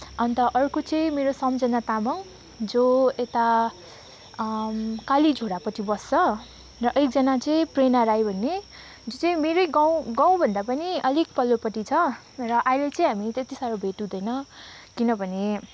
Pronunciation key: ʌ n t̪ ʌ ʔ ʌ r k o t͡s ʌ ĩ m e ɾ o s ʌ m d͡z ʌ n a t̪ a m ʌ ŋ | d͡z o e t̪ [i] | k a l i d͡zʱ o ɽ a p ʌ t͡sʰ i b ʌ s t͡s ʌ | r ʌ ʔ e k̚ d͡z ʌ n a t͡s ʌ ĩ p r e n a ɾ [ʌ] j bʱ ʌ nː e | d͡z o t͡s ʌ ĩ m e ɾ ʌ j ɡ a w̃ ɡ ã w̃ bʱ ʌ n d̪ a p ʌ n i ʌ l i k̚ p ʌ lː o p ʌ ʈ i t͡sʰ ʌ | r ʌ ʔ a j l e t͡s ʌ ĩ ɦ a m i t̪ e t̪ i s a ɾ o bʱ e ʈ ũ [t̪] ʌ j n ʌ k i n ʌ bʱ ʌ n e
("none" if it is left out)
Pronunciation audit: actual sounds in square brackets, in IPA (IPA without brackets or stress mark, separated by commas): a, a, d̪